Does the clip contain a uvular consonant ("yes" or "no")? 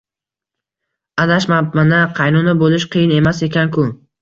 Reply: yes